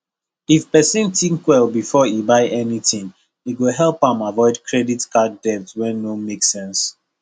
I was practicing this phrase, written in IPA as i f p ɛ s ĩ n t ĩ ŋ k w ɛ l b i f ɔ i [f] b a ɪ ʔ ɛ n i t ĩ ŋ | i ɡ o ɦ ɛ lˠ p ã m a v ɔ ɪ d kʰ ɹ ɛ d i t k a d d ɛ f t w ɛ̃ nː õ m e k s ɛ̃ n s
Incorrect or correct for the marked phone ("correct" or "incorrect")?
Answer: incorrect